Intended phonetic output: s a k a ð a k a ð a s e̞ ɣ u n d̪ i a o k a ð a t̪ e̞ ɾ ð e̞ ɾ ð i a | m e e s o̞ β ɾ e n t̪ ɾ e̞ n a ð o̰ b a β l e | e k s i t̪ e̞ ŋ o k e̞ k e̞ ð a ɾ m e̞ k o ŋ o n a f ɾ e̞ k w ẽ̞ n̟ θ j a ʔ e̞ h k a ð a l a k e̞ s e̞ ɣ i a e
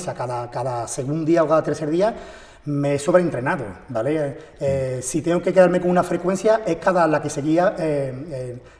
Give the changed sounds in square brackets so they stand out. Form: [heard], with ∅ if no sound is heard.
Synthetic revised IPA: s a k a ð a k a ð a s e̞ ɣ u n d̪ i a o k a ð a t̪ e̞ ɾ [θ] e̞ ɾ ð i a | m e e s o̞ β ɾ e n t̪ ɾ e̞ n a ð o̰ b a [∅] l e | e [∅] s i t̪ e̞ ŋ o k e̞ k e̞ ð a ɾ m e̞ k o ŋ [u] n a f ɾ e̞ k w [e̞] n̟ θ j a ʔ e̞ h k a ð a l a k e̞ s e̞ ɣ i a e